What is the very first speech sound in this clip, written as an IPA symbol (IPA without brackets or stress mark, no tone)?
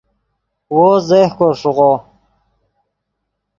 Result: w